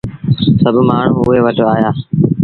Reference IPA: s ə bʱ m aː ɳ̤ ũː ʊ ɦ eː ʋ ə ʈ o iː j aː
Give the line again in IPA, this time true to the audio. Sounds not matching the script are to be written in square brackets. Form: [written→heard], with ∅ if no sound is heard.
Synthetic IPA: s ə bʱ m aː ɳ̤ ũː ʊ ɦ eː ʋ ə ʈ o [iː→aː] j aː